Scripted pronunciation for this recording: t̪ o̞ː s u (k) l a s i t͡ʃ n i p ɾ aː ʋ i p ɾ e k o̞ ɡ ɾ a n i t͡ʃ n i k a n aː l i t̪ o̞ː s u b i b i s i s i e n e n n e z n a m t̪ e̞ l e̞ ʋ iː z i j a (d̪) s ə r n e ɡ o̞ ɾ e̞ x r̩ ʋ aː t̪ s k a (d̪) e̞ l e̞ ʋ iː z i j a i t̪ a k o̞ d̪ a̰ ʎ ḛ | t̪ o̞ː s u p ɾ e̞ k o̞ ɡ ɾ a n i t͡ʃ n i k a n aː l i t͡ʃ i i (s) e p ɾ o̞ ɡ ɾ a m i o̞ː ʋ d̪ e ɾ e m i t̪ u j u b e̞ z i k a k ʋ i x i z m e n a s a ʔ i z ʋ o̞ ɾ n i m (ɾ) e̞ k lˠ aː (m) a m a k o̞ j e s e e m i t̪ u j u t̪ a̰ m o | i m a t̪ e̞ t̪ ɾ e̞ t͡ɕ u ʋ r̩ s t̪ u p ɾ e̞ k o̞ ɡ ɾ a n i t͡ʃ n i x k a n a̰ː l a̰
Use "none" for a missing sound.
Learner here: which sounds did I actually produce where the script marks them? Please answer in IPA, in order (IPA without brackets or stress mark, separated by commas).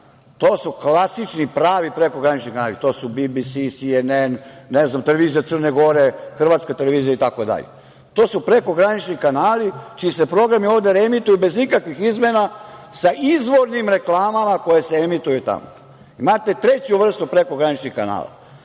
k, t̪, t̪, s, ɾ, m